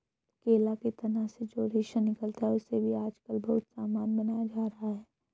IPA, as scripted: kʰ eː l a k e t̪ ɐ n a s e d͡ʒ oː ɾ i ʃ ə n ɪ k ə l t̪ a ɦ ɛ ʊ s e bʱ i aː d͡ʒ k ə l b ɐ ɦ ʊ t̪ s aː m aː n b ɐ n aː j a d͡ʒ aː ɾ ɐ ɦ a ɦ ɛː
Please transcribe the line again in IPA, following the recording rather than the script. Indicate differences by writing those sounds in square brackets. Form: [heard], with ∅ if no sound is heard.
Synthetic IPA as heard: [k] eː l a k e t̪ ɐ n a s e d͡ʒ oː ɾ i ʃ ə n ɪ k ə l t̪ a ɦ ɛ ʊ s e bʱ i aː d͡ʒ k ə l b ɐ ɦ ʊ t̪ s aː m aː n b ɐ n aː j a d͡ʒ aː ɾ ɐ ɦ a ɦ ɛː